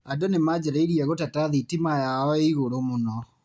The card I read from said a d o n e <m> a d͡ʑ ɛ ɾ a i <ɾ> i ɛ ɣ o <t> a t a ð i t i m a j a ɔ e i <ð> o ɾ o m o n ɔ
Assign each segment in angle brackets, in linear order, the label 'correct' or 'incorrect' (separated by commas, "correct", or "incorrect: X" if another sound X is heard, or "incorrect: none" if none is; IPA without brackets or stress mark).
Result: correct, correct, correct, incorrect: ɣ